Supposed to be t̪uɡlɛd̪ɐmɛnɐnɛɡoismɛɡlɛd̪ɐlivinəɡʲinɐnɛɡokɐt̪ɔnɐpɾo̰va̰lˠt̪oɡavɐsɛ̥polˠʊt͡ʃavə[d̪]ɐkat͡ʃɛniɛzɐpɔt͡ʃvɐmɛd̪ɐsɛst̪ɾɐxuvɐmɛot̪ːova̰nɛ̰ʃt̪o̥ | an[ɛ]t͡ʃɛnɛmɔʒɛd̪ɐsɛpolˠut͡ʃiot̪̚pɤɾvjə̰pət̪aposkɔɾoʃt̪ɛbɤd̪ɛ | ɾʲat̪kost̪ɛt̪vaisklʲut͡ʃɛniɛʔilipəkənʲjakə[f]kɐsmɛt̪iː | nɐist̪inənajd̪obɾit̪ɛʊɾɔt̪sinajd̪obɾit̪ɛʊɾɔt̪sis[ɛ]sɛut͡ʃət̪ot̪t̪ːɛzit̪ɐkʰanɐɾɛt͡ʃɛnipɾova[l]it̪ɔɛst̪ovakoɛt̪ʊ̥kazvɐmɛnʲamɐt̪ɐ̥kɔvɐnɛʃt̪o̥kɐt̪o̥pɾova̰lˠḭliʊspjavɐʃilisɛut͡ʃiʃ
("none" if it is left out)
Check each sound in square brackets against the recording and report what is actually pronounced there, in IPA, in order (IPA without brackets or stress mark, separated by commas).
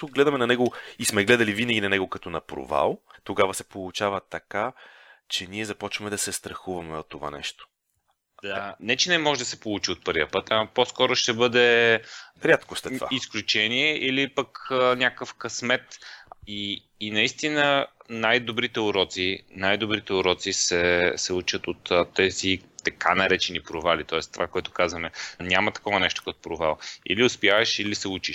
t̪, ɛ, f, ɛ, l